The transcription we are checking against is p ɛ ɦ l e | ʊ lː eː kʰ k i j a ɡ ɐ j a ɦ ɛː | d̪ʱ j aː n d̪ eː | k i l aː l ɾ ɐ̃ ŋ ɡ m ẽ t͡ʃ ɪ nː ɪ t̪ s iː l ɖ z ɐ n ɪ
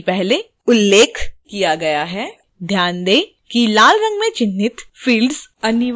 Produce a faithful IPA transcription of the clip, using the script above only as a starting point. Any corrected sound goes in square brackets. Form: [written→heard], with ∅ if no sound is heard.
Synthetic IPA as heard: p ɛ ɦ l e | ʊ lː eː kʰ k i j a ɡ ɐ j a ɦ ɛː | d̪ʱ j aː n d̪ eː | k i l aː l ɾ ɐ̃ ŋ ɡ m ẽ t͡ʃ ɪ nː ɪ t̪ [s→f] iː l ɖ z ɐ n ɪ

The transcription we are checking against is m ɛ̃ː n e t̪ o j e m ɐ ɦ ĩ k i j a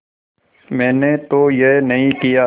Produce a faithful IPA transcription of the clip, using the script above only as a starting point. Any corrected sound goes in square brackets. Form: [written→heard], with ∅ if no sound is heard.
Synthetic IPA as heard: m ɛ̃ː n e t̪ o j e [m→n] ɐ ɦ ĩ k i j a

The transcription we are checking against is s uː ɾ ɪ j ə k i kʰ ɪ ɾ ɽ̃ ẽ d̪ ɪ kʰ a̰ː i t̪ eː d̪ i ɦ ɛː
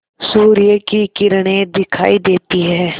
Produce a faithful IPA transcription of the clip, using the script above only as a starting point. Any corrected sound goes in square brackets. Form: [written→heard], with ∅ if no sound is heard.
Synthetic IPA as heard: s uː ɾ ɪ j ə k i [kʰ→k] ɪ ɾ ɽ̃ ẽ d̪ ɪ kʰ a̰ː i [t̪→d̪] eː [d̪→t̪] i ɦ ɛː

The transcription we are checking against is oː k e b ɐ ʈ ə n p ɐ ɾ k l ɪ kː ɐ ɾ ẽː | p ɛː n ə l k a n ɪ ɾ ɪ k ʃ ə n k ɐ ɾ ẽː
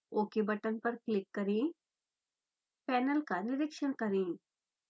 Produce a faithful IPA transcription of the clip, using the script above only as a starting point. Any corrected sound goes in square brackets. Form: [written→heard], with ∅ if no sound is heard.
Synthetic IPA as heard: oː k e b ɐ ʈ ə n p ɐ ɾ k l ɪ kː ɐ ɾ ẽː | p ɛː n ə l k a n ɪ ɾ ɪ k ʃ ə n k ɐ ɾ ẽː

